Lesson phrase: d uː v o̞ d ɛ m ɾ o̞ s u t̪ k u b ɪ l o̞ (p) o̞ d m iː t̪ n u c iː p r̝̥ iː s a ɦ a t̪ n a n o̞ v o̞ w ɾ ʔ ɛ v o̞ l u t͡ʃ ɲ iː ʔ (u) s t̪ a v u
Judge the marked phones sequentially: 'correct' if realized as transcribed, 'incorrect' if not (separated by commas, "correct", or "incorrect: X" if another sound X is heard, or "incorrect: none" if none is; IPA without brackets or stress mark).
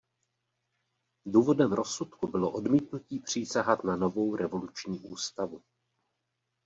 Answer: incorrect: ʔ, incorrect: uː